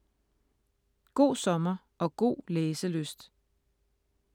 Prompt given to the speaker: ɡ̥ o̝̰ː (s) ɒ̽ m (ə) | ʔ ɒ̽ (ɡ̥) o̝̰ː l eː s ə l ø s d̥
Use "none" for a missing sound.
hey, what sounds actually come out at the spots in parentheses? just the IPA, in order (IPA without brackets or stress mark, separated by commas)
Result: s, ɐ, ɡ̥